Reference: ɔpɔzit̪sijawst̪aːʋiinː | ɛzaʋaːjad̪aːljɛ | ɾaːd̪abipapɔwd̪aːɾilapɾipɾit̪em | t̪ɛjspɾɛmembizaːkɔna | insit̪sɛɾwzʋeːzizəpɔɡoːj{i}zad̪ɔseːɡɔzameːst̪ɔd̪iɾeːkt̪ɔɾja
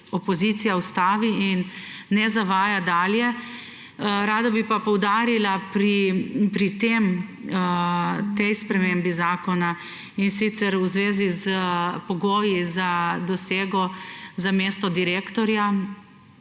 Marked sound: correct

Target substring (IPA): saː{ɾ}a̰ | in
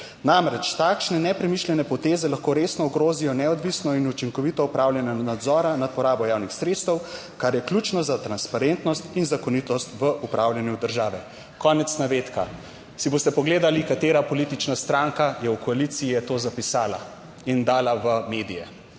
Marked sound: incorrect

